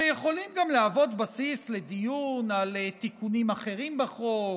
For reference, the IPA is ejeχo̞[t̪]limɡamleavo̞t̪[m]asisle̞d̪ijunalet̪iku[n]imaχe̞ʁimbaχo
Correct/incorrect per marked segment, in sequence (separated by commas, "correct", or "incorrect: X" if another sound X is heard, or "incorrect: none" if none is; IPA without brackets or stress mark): incorrect: none, incorrect: b, correct